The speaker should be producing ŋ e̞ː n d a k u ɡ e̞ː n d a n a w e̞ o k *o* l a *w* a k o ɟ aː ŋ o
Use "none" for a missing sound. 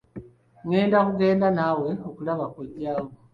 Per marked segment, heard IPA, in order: u, β

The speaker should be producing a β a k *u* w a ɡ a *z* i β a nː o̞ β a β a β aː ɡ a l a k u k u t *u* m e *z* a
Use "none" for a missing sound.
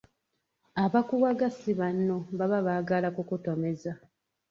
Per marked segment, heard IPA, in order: u, s, o, z

